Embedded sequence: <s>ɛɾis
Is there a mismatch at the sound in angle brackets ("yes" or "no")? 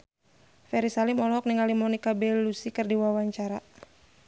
yes